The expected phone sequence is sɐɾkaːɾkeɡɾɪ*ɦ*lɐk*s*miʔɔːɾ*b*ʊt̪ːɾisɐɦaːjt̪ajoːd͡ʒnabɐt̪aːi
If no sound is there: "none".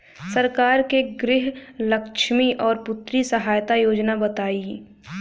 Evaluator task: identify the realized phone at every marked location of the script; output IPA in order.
ɦ, ʃ, p

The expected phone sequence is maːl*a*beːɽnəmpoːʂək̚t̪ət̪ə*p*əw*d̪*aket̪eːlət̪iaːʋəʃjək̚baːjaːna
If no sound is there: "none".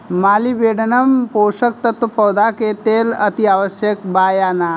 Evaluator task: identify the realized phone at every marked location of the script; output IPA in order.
i, p, d̪

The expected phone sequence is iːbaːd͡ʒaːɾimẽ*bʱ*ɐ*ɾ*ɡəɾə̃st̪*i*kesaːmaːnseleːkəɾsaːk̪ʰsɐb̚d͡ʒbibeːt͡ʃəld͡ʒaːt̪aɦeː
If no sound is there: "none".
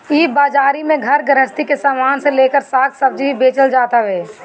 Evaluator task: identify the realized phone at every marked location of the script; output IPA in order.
ɡʱ, ɾ, i

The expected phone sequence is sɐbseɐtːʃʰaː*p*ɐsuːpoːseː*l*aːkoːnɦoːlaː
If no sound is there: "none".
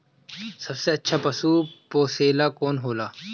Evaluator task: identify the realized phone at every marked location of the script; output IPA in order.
p, l

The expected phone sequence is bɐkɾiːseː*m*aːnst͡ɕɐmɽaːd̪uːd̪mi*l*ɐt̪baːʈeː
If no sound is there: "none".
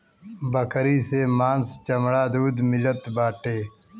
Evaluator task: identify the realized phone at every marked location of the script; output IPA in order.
m, l

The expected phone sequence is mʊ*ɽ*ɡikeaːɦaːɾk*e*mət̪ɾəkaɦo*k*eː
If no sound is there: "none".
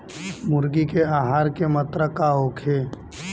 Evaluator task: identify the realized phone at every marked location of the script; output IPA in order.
ɾ, e, kʰ

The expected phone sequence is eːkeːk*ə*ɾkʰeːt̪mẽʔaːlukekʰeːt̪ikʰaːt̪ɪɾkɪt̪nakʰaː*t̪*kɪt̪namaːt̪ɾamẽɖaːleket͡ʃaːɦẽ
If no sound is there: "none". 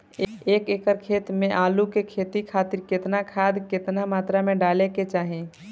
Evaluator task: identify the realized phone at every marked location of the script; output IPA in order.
ə, d̪

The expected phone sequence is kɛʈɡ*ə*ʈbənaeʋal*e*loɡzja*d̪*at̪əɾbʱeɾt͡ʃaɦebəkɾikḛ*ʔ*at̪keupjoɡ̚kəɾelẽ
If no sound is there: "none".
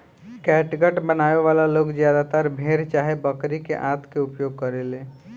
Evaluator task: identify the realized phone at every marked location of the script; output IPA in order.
ə, a, d̪, ʔ

